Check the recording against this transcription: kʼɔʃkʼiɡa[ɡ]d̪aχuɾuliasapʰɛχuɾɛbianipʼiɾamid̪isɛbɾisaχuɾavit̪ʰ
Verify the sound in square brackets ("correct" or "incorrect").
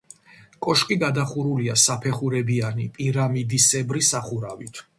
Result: incorrect